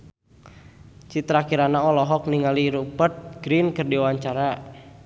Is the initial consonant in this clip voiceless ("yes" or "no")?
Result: yes